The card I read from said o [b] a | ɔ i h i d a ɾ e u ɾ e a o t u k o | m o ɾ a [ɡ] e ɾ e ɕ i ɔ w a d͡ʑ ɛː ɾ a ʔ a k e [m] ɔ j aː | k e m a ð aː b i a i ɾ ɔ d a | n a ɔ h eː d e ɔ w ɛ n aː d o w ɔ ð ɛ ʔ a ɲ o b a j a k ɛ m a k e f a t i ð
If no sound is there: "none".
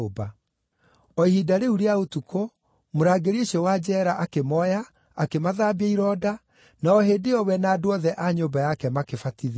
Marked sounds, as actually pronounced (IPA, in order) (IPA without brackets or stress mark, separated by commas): b, ɡ, m